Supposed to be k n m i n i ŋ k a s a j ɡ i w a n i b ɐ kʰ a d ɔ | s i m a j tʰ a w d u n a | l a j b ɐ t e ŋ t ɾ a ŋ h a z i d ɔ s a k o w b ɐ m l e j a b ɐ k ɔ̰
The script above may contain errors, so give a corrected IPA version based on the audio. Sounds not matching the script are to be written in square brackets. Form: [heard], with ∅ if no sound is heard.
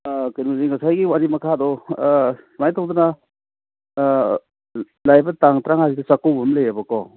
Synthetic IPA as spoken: k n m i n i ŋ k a s a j ɡ i w a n i [m] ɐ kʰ a d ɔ | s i m a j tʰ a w d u n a | l a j b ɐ t [a] ŋ t ɾ a ŋ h a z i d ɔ s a k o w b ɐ m l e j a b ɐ k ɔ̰